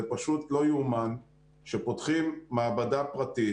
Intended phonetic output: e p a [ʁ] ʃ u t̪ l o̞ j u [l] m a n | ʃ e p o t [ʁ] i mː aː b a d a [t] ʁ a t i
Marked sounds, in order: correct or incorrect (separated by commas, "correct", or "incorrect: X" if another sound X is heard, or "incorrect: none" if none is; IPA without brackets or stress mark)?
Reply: incorrect: none, incorrect: none, incorrect: χ, incorrect: p